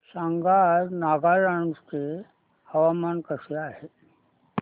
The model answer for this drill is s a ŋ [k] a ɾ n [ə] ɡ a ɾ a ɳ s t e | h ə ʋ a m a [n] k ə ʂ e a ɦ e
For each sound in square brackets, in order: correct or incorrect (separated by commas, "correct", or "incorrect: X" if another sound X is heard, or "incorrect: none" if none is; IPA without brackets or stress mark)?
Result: incorrect: ɡ, incorrect: a, correct